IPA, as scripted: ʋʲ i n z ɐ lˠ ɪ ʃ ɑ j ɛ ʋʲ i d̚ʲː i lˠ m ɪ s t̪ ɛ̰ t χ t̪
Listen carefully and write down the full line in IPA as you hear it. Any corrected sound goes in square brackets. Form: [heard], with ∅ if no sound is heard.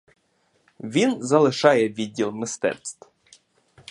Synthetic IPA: ʋʲ i n z ɐ lˠ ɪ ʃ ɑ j ɛ ʋʲ i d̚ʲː i lˠ m ɪ s t̪ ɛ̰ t [s] t̪